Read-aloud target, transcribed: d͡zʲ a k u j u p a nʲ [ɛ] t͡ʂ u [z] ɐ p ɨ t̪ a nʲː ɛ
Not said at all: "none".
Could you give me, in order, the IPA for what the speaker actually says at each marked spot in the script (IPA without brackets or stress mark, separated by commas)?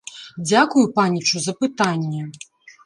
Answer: i, z